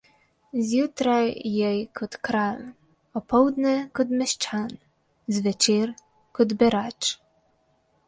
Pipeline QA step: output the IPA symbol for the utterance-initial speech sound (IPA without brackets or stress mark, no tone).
z